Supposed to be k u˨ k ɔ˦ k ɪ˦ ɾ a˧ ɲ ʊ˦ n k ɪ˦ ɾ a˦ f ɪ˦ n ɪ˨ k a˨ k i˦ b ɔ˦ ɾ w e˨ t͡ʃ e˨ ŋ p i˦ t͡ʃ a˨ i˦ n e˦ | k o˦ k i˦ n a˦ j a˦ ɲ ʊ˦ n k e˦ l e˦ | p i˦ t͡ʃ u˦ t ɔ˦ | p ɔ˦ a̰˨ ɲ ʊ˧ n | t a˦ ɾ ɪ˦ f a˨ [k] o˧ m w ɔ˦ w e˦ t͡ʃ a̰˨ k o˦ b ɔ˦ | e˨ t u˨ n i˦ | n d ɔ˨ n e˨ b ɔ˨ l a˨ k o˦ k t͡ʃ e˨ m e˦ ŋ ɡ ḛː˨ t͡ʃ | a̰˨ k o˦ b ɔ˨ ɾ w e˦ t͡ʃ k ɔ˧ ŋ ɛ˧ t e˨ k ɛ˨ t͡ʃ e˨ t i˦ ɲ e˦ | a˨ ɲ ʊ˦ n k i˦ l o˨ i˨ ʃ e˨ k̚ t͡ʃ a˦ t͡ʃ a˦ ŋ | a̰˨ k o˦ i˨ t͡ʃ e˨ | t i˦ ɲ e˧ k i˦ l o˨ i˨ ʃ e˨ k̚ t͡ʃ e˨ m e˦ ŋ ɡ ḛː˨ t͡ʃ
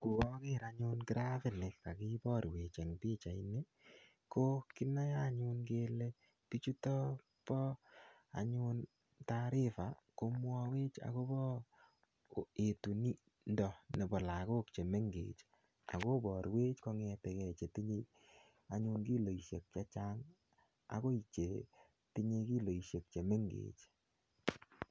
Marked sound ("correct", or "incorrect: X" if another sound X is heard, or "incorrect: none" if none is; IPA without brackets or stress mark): correct